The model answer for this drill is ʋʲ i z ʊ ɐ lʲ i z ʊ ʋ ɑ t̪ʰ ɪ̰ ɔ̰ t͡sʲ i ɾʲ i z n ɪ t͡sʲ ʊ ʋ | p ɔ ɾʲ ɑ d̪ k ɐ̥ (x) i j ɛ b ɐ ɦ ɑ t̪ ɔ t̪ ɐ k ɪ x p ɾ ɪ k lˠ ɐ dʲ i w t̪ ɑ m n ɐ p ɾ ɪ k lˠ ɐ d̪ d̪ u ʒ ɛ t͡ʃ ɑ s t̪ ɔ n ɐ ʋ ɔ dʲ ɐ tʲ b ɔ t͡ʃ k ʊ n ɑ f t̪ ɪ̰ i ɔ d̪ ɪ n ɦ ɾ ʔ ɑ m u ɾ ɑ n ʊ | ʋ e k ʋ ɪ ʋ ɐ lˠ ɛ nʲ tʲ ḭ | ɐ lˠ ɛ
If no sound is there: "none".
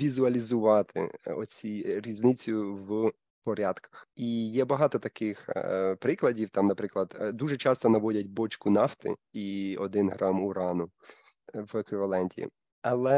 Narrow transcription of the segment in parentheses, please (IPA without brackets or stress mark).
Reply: x